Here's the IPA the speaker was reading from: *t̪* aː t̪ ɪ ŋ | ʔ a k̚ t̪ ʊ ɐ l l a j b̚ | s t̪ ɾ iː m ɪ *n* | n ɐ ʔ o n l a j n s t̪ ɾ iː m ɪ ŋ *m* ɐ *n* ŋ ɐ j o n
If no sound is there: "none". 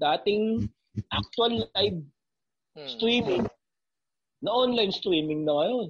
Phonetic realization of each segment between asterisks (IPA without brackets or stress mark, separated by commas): d̪, ŋ, n, none